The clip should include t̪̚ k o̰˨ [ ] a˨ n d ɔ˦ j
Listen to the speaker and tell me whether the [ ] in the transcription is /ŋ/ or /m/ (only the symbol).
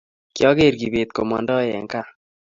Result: m